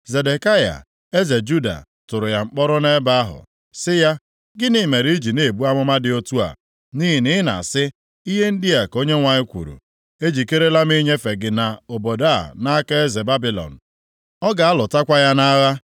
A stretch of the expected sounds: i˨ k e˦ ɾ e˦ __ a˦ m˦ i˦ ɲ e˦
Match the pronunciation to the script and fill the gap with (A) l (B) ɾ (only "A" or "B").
A